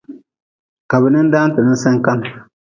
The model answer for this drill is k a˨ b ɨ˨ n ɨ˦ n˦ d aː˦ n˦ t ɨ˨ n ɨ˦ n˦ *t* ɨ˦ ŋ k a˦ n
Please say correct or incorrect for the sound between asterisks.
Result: incorrect